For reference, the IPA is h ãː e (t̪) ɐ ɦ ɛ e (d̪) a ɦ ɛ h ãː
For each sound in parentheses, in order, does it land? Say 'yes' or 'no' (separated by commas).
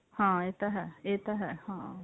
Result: yes, no